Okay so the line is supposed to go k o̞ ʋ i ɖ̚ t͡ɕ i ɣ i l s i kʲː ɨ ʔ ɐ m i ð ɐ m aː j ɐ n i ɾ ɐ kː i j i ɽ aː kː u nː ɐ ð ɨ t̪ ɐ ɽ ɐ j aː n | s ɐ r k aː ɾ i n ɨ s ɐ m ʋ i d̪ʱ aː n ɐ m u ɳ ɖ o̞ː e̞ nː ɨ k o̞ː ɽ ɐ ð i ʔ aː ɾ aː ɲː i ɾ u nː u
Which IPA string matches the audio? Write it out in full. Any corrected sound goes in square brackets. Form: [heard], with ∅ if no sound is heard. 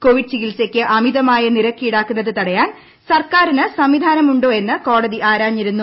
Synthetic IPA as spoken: k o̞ ʋ i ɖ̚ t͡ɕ i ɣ i l s [e] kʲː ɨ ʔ ɐ m i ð ɐ m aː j ɐ n i ɾ ɐ kː i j i ɽ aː kː u nː ɐ ð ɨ t̪ ɐ ɽ ɐ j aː n | s ɐ r k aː ɾ i n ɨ s ɐ m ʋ i d̪ʱ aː n ɐ m u ɳ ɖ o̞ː e̞ nː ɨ k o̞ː ɽ ɐ ð i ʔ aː ɾ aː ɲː i ɾ u nː u

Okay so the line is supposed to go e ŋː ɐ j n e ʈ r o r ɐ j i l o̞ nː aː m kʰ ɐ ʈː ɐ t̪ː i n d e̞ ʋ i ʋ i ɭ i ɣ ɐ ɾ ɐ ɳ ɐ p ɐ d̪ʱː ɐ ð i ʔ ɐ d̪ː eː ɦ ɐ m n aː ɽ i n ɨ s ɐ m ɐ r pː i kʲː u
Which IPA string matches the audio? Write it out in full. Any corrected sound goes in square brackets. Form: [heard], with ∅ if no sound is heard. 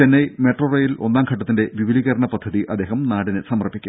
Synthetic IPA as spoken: e [nː] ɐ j [m] e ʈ r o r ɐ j i l o̞ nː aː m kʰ ɐ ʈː ɐ t̪ː i n d e̞ ʋ i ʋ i [l] i ɣ ɐ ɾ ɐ ɳ ɐ p ɐ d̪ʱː ɐ ð i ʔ ɐ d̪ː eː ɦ ɐ m n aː ɽ i n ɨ s ɐ m ɐ r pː i kʲː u

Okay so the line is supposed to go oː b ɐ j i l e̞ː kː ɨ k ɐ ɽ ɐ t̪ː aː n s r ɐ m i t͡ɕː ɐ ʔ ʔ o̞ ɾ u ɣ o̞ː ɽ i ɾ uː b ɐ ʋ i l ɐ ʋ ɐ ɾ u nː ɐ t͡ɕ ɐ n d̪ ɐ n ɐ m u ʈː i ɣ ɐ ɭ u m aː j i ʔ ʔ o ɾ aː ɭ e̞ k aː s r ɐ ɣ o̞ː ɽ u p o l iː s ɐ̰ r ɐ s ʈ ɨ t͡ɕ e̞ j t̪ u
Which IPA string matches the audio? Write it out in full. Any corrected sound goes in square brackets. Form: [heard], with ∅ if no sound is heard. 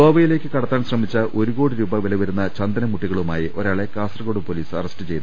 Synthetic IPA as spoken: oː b ɐ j i l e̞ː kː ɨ k ɐ ɽ ɐ t̪ː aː n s r ɐ m i t͡ɕː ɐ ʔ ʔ o̞ ɾ u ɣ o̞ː ɽ i ɾ uː b ɐ ʋ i l ɐ ʋ ɐ ɾ u nː ɐ t͡ɕ ɐ n d̪ ɐ n ɐ m u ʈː i ɣ ɐ ɭ u m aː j i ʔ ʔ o ɾ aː ɭ e̞ k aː s r ɐ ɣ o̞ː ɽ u p o l iː s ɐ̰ r ɐ s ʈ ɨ t͡ɕ e̞ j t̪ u

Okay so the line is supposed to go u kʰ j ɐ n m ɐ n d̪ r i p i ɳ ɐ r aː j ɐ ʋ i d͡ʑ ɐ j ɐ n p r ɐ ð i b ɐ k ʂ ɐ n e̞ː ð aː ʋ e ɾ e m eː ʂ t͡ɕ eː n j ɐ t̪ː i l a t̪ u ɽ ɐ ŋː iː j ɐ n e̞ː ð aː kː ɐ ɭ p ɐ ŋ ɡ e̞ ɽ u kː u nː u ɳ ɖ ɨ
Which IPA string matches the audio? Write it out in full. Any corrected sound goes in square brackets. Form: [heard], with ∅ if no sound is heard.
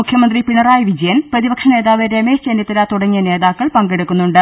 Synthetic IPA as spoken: u kʰ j ɐ [∅] m ɐ n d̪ r i p i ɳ ɐ r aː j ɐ ʋ i d͡ʑ ɐ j ɐ n p r ɐ ð i b ɐ k ʂ ɐ n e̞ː ð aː ʋ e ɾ e m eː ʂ t͡ɕ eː n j ɐ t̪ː i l a t̪ u ɽ ɐ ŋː [i] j ɐ n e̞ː ð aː kː ɐ ɭ p ɐ ŋ ɡ e̞ ɽ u kː u nː u ɳ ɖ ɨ

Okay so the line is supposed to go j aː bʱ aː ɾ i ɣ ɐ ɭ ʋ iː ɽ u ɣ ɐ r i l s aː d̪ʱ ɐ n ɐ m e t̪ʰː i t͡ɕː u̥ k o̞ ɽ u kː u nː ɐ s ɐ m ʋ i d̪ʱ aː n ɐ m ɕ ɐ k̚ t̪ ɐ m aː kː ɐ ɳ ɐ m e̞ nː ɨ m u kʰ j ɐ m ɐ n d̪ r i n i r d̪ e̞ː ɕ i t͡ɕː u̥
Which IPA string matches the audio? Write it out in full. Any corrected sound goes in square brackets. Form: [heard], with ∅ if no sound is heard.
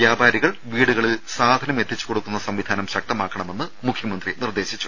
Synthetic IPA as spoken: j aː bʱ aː ɾ i ɣ ɐ ɭ ʋ iː ɽ u ɣ ɐ [ɭ] i l s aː d̪ʱ ɐ n ɐ m e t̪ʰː i t͡ɕː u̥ k o̞ ɽ u kː u nː ɐ s ɐ m ʋ i d̪ʱ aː n ɐ m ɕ ɐ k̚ t̪ ɐ m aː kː ɐ ɳ ɐ m e̞ nː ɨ m u kʰ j ɐ m ɐ n d̪ r i n i r d̪ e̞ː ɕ i t͡ɕː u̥

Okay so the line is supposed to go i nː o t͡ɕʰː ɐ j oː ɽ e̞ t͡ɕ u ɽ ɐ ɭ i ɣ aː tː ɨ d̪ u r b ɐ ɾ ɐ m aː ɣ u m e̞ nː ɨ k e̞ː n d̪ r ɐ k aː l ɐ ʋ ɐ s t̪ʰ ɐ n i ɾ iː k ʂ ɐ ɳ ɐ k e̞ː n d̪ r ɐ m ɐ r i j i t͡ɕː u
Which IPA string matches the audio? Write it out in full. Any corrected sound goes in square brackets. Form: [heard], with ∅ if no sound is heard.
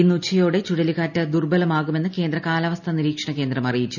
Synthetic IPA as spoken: i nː [u] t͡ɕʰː ɐ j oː ɽ e̞ t͡ɕ u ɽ ɐ [l] i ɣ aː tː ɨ d̪ u r b ɐ [l] ɐ m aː ɣ u m e̞ nː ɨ k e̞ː n d̪ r ɐ k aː l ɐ ʋ ɐ s t̪ʰ ɐ n i ɾ iː k ʂ ɐ ɳ ɐ k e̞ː n d̪ r ɐ m ɐ r i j i t͡ɕː u

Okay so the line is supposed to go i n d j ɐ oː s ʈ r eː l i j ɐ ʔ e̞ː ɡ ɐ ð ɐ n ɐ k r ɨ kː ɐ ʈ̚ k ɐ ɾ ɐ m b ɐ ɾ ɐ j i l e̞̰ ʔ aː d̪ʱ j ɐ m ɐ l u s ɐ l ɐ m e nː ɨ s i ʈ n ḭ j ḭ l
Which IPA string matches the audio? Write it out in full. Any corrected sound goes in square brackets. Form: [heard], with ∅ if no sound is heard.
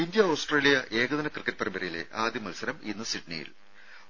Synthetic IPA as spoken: i n d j ɐ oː s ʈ r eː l i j ɐ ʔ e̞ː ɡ ɐ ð ɐ n ɐ k r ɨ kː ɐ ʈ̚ [p] ɐ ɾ ɐ m b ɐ ɾ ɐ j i l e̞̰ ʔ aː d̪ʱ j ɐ m ɐ l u s ɐ [ɾ] ɐ m [i] nː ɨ s i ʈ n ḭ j ḭ l

